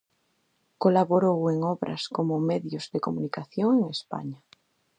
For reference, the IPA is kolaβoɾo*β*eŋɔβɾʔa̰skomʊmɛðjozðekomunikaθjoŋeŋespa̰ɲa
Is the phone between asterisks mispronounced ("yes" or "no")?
yes